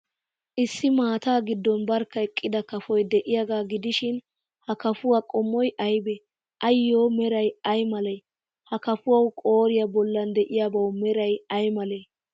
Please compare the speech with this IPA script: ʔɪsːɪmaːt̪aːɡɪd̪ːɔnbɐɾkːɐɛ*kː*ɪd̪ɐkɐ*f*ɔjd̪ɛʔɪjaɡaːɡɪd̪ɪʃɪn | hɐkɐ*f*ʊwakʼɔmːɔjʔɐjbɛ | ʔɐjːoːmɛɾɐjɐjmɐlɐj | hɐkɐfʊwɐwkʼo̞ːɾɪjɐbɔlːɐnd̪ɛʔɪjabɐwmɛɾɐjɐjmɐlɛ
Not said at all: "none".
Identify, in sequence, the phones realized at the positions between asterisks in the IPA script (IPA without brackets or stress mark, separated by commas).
kʼː, f, f